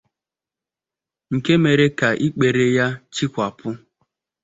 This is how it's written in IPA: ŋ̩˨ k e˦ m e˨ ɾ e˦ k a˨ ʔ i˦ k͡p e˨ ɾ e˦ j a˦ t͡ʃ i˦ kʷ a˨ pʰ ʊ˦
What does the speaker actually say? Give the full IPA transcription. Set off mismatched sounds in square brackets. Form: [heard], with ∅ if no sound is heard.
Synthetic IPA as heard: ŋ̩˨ k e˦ m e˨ ɾ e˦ k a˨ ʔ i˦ k͡p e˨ ɾ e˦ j a˦ t͡ʃ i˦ kʷ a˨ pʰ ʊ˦